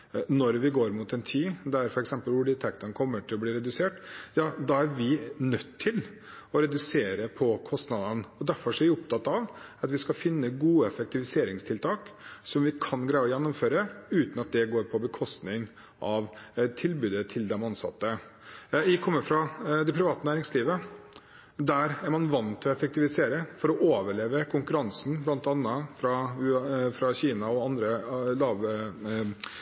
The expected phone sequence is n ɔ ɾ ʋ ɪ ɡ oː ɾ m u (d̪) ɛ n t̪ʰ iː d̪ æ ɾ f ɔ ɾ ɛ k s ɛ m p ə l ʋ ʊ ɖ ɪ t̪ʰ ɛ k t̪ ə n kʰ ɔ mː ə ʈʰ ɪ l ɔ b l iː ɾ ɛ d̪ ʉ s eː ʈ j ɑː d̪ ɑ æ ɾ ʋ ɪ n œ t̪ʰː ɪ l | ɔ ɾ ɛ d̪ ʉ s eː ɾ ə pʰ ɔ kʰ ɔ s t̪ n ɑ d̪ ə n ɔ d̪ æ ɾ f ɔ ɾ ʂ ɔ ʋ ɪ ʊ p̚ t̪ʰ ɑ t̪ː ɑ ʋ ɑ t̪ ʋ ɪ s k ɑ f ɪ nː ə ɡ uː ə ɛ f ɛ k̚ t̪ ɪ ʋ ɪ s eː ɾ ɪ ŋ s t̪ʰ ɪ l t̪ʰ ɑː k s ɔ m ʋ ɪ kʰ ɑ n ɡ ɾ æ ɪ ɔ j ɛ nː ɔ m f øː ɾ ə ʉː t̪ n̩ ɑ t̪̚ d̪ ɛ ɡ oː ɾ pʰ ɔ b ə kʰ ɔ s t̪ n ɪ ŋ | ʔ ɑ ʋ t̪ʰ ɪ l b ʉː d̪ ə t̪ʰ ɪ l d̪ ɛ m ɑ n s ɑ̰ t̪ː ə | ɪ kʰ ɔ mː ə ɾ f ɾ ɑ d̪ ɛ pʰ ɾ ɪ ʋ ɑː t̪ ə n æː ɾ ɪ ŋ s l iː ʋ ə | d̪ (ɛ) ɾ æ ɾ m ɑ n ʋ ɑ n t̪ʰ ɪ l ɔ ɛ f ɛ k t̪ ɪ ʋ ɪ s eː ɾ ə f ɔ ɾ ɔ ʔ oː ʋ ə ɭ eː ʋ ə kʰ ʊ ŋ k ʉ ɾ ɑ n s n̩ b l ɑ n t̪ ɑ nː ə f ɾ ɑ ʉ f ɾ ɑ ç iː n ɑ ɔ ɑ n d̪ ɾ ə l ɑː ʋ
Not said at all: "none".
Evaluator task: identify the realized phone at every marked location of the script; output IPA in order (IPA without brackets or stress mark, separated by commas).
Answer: t̪, æ